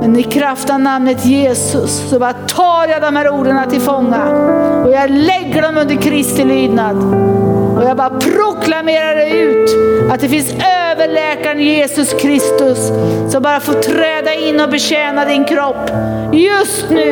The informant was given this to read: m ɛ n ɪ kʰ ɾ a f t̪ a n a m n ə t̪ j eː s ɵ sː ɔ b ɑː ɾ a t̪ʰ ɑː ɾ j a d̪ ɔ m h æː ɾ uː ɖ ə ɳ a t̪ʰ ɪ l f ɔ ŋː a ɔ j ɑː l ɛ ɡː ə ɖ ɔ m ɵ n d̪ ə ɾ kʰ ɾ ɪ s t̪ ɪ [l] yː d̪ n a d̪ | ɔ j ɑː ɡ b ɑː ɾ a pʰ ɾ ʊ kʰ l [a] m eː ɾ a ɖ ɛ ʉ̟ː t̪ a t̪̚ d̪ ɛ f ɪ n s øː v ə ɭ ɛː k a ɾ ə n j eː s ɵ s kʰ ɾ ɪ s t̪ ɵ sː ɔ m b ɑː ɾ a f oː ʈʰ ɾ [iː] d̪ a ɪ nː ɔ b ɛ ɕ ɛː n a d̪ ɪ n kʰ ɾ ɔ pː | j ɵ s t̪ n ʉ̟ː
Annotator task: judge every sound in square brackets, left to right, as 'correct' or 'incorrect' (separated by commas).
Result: correct, correct, incorrect